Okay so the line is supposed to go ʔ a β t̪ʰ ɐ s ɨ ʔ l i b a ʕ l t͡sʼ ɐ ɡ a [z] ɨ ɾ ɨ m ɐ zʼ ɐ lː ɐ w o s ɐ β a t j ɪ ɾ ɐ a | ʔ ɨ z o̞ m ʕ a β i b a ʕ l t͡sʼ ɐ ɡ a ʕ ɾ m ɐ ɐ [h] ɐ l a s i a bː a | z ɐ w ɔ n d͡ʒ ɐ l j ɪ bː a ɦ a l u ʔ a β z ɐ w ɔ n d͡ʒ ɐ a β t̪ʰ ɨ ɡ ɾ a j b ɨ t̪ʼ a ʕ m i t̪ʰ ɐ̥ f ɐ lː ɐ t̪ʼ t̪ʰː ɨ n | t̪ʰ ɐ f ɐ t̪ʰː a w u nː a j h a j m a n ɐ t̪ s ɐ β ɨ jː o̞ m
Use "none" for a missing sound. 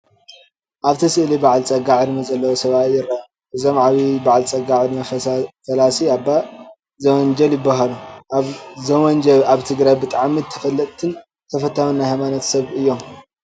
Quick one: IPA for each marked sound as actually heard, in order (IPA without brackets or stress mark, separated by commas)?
ʕ, f